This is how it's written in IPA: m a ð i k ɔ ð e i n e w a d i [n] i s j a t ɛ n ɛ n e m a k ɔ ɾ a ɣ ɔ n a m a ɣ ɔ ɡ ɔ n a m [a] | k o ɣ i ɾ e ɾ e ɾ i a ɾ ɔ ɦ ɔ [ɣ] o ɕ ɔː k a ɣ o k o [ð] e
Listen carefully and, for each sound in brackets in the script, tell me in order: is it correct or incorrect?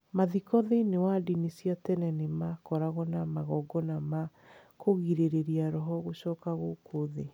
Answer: correct, correct, correct, correct

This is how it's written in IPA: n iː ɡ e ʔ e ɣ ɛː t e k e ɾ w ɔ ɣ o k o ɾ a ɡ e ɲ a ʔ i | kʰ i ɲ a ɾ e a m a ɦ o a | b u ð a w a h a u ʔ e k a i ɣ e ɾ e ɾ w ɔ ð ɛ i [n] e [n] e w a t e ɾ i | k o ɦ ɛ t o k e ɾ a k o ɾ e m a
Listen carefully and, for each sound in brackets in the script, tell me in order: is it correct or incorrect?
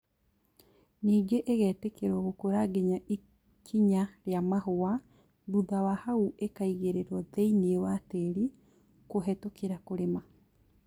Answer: correct, incorrect

